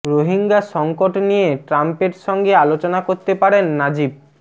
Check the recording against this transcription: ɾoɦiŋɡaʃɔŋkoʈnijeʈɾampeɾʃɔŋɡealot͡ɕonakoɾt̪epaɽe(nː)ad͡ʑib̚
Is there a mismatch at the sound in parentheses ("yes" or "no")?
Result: no